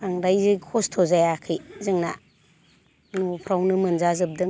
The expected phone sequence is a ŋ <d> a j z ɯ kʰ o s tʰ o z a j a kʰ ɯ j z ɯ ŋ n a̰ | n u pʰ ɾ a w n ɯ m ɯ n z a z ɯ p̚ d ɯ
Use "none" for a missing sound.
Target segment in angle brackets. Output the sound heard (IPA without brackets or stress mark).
d